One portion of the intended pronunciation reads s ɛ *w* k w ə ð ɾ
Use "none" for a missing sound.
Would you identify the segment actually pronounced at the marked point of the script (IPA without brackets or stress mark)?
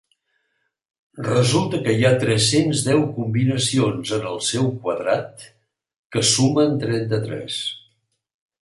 w